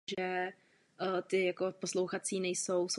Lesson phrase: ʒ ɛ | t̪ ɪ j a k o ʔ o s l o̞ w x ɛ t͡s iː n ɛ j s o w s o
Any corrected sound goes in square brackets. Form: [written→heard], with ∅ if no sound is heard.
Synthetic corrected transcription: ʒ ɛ | t̪ ɪ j a k o [ʔ→p] o s l o̞ w x [ɛ→a] t͡s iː n ɛ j s o w s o